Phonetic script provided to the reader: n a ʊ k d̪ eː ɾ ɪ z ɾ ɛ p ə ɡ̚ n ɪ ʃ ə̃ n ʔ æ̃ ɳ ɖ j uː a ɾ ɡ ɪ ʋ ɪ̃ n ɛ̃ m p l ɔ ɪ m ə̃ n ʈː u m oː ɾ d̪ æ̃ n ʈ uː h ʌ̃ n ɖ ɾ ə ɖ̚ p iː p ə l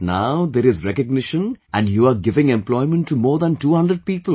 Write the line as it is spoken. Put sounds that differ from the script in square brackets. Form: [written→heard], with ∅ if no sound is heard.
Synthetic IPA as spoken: n a ʊ [k→∅] d̪ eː ɾ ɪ z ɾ ɛ [p→k] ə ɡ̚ n ɪ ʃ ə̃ n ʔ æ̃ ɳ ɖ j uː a ɾ ɡ ɪ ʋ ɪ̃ [n→ŋ] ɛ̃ m p l ɔ ɪ m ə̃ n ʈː u m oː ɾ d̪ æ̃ n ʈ uː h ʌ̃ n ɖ ɾ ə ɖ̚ p iː p ə l

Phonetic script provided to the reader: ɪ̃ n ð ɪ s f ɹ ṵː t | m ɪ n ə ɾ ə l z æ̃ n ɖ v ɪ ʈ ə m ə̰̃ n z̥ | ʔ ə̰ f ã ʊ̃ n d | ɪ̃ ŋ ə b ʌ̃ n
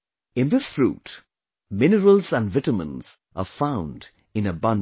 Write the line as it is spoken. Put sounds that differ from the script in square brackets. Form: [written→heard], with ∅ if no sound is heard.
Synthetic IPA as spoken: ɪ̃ n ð ɪ s f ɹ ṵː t | m ɪ n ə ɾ ə l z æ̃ n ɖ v ɪ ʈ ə m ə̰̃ n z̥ | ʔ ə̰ f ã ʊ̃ n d | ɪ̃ [ŋ→n] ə b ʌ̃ n

